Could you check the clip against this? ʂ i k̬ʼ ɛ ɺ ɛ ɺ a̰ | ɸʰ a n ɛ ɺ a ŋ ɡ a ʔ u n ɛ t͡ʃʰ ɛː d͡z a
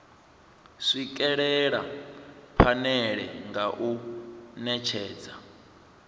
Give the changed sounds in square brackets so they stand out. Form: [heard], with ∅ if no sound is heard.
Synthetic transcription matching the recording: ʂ i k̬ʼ ɛ ɺ ɛ ɺ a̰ | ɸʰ a n ɛ ɺ [ɛ] ŋ ɡ a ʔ u n ɛ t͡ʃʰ ɛː d͡z a